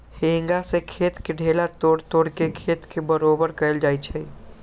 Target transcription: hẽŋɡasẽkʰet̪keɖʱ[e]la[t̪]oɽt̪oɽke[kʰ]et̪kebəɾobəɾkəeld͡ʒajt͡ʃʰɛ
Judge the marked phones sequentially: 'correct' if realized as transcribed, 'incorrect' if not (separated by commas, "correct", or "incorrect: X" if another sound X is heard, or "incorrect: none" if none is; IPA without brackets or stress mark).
correct, correct, correct